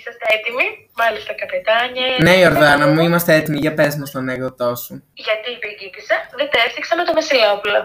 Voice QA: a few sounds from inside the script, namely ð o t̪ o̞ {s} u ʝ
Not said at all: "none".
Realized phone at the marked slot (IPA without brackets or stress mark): s